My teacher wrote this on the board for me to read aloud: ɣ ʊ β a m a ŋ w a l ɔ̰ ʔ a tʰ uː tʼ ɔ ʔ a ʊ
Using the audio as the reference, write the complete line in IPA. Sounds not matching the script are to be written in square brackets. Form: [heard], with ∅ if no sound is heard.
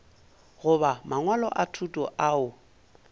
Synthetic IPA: ɣ ʊ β a m a ŋ w a l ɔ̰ ʔ a tʰ [u] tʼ ɔ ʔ a ʊ